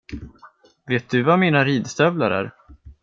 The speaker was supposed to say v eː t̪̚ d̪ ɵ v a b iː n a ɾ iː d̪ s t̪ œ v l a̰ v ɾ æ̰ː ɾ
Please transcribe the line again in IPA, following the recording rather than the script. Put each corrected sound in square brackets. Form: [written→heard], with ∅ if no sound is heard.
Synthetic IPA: v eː t̪̚ d̪ ɵ v a [b→m] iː n a ɾ iː d̪ s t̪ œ v l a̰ [v→∅] ɾ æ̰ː ɾ